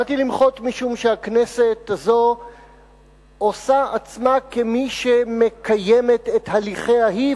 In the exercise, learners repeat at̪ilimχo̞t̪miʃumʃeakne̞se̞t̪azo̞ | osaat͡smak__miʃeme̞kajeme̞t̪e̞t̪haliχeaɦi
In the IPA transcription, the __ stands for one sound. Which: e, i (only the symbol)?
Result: e